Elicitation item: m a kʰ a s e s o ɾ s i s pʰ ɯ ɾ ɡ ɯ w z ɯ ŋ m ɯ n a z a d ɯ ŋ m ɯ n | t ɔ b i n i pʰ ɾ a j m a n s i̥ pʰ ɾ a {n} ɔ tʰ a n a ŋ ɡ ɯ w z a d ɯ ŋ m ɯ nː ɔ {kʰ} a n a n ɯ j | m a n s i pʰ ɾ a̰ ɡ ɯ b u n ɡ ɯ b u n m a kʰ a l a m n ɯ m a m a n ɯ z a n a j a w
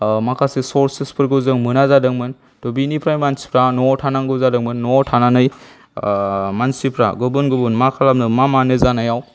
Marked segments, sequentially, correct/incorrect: correct, incorrect

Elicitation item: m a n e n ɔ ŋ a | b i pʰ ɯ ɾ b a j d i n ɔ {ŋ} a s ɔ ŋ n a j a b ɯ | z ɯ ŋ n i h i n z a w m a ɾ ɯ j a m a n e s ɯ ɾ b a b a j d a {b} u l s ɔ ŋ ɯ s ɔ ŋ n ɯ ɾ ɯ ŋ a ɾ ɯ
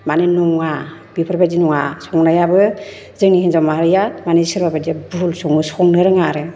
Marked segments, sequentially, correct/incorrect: correct, correct

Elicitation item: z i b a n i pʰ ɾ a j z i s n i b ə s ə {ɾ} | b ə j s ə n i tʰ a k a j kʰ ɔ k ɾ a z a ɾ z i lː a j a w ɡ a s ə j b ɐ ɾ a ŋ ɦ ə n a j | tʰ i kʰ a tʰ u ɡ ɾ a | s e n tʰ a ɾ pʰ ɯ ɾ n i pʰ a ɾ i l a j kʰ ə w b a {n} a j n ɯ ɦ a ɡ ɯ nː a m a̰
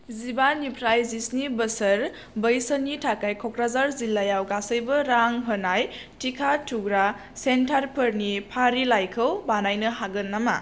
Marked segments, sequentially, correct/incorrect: correct, correct

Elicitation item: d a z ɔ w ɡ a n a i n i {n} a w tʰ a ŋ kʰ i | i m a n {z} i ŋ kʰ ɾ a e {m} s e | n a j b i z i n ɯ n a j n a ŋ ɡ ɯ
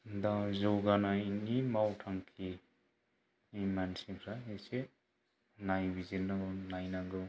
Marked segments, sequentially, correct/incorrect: incorrect, incorrect, incorrect

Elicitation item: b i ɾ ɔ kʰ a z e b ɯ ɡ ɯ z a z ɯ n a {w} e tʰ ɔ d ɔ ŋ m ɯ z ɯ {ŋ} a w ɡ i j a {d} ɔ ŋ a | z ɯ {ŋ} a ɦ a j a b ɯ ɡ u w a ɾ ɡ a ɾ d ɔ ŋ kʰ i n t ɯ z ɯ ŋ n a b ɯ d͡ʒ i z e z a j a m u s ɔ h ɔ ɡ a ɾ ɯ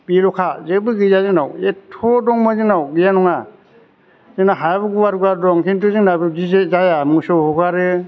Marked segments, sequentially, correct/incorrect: correct, incorrect, incorrect, incorrect

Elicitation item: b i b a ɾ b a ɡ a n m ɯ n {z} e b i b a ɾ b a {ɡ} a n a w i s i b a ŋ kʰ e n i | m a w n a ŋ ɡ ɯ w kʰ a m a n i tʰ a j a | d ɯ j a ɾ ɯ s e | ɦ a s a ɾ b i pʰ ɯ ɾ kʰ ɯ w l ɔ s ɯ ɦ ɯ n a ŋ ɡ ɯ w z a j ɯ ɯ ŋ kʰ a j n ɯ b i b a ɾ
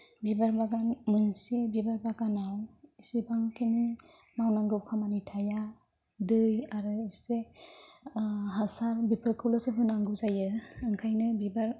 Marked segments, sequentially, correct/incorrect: incorrect, correct

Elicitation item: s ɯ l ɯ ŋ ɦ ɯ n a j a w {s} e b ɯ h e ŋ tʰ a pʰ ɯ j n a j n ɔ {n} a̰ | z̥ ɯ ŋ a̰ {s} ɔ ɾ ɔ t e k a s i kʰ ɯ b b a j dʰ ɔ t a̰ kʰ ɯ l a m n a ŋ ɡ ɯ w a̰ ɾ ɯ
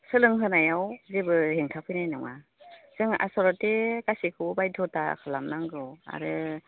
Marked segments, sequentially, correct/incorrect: incorrect, incorrect, correct

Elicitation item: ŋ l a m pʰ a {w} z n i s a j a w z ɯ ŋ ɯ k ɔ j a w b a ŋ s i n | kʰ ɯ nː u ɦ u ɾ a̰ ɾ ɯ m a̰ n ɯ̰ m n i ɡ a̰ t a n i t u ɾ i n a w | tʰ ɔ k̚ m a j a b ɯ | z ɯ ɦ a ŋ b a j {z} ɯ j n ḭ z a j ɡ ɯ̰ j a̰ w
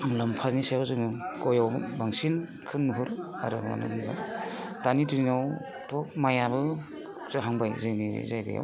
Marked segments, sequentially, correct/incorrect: incorrect, correct

